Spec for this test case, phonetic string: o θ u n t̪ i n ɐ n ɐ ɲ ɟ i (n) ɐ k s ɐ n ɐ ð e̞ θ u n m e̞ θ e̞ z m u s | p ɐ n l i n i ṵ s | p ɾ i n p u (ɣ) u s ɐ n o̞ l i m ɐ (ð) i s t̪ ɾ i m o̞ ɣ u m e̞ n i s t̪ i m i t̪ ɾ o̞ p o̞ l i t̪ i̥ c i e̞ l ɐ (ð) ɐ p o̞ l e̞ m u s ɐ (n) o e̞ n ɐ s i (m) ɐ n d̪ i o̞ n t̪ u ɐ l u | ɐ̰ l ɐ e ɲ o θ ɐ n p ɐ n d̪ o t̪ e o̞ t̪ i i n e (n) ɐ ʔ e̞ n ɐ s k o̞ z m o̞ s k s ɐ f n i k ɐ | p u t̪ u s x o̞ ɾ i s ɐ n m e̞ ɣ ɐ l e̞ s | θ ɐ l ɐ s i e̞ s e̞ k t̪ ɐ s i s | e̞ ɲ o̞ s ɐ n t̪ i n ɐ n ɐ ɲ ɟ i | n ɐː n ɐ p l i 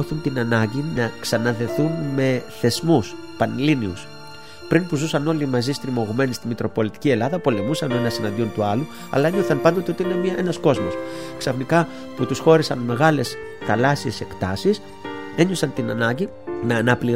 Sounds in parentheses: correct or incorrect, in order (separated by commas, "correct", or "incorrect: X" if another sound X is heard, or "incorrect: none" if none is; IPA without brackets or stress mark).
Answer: correct, incorrect: z, incorrect: z, correct, correct, incorrect: n, incorrect: m